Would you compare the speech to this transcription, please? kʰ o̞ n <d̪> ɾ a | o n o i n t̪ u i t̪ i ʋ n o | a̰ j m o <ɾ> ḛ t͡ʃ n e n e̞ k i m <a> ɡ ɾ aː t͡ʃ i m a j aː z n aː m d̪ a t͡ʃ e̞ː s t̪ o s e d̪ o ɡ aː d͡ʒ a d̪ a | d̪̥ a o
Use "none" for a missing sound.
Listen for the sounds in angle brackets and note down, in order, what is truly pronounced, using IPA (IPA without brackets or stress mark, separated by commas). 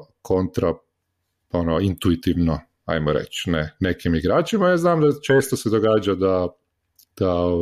t̪, ɾ, i